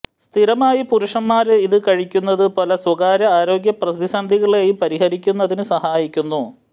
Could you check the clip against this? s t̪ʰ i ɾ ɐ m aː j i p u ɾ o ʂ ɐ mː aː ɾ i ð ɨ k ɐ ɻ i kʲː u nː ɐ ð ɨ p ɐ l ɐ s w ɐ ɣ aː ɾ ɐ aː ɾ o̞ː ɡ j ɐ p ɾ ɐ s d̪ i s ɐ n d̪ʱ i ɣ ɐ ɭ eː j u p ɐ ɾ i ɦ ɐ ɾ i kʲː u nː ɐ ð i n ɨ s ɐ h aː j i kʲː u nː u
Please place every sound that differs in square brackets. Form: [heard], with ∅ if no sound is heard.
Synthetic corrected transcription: s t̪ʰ i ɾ ɐ m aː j i p u ɾ [u] ʂ ɐ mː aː ɾ i ð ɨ k ɐ ɻ i kʲː u nː ɐ ð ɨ p ɐ l ɐ s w ɐ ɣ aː ɾ ɐ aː ɾ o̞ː ɡ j ɐ p [r] ɐ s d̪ i s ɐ n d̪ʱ i ɣ ɐ ɭ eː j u p ɐ ɾ i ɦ ɐ ɾ i kʲː u nː ɐ ð i n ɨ s ɐ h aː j i kʲː u nː u

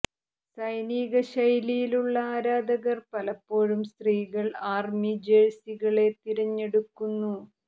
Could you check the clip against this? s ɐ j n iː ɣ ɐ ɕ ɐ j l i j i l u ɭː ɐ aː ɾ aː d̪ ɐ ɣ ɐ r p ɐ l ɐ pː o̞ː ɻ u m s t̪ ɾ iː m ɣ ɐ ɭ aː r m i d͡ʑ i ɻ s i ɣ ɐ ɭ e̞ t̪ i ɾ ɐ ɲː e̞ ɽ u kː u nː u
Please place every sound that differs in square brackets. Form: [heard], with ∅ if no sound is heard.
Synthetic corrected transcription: s ɐ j n iː ɣ ɐ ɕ ɐ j l i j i l u ɭː ɐ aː ɾ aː d̪ ɐ ɣ ɐ r p ɐ l ɐ pː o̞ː ɻ u m s t̪ [r] iː [∅] ɣ ɐ ɭ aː r m i d͡ʑ [e] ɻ s i ɣ ɐ ɭ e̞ t̪ i ɾ ɐ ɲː e̞ ɽ u kː u nː u

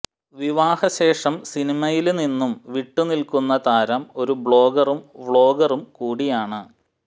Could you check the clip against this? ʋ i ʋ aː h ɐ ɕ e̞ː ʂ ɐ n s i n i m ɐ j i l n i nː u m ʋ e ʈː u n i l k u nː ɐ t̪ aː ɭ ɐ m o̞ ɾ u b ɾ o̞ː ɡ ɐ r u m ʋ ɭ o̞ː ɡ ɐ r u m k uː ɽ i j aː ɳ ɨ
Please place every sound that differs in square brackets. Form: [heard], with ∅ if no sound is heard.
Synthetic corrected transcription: ʋ i ʋ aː h ɐ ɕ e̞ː ʂ ɐ [m] s i n i m ɐ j i l n i nː u m ʋ [i] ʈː u n i l k u nː ɐ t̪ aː [ɾ] ɐ m o̞ ɾ u b [ɭ] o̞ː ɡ ɐ r u m ʋ ɭ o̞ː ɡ ɐ r u m k uː ɽ i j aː ɳ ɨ

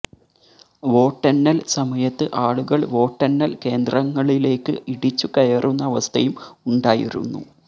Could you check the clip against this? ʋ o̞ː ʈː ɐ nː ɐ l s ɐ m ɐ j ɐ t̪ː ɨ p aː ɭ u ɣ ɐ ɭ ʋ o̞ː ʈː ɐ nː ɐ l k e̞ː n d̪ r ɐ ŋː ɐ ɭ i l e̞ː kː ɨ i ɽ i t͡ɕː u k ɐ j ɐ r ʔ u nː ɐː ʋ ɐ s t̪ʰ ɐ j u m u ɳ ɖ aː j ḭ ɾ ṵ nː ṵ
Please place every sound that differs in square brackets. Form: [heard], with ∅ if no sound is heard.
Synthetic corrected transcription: ʋ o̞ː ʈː ɐ nː ɐ l s ɐ m ɐ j ɐ t̪ː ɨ [ʔ] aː ɭ u ɣ ɐ ɭ ʋ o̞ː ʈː ɐ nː ɐ l k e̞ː n d̪ r ɐ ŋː ɐ ɭ i l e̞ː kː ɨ i ɽ i t͡ɕː u k ɐ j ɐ r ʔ u nː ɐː ʋ ɐ s t̪ʰ ɐ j u m u ɳ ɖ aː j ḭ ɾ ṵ nː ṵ

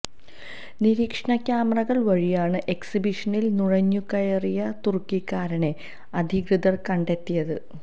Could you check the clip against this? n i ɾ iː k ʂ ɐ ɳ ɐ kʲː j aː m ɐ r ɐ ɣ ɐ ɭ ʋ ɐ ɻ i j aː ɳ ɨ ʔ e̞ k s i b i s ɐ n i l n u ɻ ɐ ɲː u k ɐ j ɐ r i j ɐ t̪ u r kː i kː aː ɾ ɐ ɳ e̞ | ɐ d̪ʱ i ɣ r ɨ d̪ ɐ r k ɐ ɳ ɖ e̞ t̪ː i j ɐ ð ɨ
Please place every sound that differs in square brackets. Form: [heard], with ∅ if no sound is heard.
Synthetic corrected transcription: n i ɾ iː k ʂ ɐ ɳ ɐ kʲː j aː m ɐ r ɐ ɣ ɐ ɭ ʋ ɐ ɻ i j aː ɳ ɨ ʔ e̞ k s i b i [ʂ] ɐ n i l n u ɻ ɐ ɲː u k ɐ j ɐ r i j ɐ t̪ u r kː i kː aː ɾ ɐ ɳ e̞ | ɐ d̪ʱ i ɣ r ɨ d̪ ɐ r k ɐ ɳ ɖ e̞ t̪ː i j ɐ ð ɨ

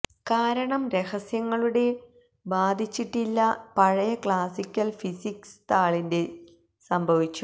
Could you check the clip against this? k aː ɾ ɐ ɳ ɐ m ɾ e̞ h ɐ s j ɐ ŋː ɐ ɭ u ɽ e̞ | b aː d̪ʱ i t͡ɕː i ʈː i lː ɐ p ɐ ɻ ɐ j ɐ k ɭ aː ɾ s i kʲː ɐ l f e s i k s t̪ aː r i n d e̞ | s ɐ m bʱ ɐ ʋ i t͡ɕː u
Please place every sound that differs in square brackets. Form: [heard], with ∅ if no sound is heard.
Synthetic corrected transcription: k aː ɾ ɐ ɳ ɐ m ɾ e̞ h ɐ s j ɐ ŋː ɐ ɭ u ɽ e̞ | b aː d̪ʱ i t͡ɕː i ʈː i lː ɐ p ɐ ɻ ɐ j ɐ k ɭ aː [∅] s i kʲː ɐ l f [i] s i k s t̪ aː [ɭ] i n d e̞ | s ɐ m bʱ ɐ ʋ i t͡ɕː u

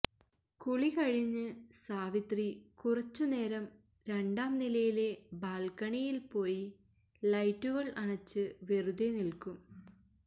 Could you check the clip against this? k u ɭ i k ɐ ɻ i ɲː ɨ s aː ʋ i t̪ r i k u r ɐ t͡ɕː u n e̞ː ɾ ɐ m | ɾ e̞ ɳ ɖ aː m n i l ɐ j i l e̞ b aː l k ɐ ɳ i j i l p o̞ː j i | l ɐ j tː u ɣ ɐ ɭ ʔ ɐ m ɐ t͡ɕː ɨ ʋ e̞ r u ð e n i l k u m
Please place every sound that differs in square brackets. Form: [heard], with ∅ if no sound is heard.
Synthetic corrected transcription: k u ɭ i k ɐ ɻ i ɲː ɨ s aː ʋ i t̪ r i k u r ɐ t͡ɕː u n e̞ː ɾ ɐ m | ɾ e̞ ɳ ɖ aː m n i l ɐ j i l e̞ b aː l k ɐ ɳ i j i l p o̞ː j i | l ɐ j tː u ɣ ɐ ɭ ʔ ɐ [ɳ] ɐ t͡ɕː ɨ ʋ e̞ r u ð e n i l k u m

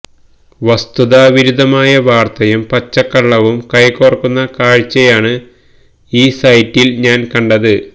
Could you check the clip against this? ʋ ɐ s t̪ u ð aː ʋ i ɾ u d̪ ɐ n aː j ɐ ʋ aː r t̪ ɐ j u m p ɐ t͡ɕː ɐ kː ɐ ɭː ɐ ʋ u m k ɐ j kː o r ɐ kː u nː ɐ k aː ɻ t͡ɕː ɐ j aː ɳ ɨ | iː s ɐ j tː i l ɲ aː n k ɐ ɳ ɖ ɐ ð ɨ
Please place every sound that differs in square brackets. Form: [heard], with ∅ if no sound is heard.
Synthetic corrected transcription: ʋ ɐ s t̪ u ð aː ʋ i ɾ u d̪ ɐ [m] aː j ɐ ʋ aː r t̪ ɐ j u m p ɐ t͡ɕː ɐ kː ɐ ɭː ɐ ʋ u m k ɐ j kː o r ɐ kː u nː ɐ k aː ɻ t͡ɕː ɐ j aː ɳ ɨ | iː s ɐ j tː i l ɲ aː n k ɐ ɳ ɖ ɐ ð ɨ

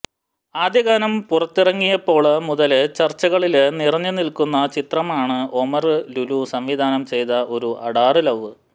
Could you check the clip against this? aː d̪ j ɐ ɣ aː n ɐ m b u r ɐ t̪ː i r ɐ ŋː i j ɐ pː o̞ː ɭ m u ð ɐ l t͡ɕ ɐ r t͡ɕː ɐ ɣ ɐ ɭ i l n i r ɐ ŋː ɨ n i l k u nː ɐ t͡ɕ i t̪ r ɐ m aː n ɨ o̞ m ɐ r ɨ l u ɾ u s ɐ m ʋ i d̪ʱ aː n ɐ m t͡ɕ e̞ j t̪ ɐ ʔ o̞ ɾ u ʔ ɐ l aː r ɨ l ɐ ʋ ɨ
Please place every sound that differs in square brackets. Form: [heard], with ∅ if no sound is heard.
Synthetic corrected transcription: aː d̪ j ɐ ɣ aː n ɐ m [p] u r ɐ t̪ː i r ɐ ŋː i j ɐ pː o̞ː ɭ m u ð ɐ l t͡ɕ ɐ r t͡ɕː ɐ ɣ ɐ ɭ i l n i r ɐ [ɲː] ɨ n i l k u nː ɐ t͡ɕ i t̪ r ɐ m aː [ɳ] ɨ o̞ m ɐ r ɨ l u [l] u s ɐ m ʋ i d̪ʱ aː n ɐ m t͡ɕ e̞ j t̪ ɐ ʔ o̞ ɾ u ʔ ɐ [ɽ] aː r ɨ l ɐ ʋ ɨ

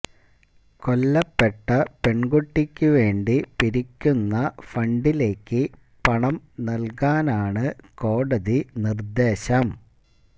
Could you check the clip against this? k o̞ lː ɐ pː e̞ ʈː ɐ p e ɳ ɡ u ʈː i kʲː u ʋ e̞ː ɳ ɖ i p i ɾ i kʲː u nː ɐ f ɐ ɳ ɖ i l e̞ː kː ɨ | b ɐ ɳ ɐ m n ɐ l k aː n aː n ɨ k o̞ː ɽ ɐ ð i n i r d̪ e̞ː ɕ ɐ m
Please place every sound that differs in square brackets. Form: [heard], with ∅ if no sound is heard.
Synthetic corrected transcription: k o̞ lː ɐ pː e̞ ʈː ɐ p e ɳ ɡ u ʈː i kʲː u ʋ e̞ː ɳ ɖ i p i ɾ i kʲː u nː ɐ f ɐ ɳ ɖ i l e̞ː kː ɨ | [p] ɐ ɳ ɐ m n ɐ l k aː n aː [ɳ] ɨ k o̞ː ɽ ɐ ð i n i r d̪ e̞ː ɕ ɐ m

